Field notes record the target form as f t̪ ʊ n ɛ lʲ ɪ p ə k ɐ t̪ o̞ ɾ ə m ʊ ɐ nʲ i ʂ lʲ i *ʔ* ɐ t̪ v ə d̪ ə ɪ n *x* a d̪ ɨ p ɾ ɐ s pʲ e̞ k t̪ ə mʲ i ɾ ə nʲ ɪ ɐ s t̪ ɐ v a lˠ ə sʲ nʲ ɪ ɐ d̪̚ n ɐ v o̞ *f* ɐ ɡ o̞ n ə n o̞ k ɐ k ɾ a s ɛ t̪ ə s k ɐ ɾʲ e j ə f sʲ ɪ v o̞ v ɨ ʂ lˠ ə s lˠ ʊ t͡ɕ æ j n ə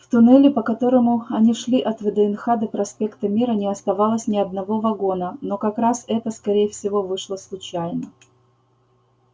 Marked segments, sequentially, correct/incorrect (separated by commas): correct, correct, incorrect